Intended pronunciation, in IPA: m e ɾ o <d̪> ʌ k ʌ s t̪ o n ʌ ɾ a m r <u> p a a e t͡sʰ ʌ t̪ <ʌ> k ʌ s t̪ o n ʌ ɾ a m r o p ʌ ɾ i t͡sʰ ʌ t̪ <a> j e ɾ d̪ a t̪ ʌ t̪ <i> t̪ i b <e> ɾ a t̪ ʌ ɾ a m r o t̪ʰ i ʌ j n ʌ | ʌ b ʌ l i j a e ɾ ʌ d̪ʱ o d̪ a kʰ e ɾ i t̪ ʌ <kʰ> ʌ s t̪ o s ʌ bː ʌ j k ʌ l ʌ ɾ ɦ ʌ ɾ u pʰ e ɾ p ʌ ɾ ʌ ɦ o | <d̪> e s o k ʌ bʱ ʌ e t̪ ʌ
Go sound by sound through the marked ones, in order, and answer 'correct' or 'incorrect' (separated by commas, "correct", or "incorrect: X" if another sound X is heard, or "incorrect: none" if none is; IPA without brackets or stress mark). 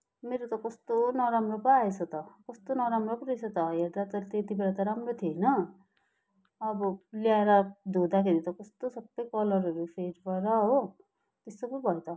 incorrect: t̪, incorrect: o, correct, incorrect: ʌ, incorrect: e, correct, incorrect: k, incorrect: t̪